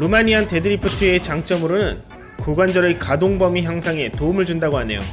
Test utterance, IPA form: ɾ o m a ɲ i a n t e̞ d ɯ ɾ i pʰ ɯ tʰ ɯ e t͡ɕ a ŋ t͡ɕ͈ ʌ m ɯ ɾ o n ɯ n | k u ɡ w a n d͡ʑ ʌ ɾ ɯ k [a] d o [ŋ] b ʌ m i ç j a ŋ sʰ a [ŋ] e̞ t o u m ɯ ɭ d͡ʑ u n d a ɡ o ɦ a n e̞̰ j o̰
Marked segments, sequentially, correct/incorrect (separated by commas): correct, correct, correct